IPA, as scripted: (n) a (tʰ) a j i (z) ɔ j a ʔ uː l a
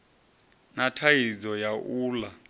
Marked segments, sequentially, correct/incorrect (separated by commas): correct, correct, correct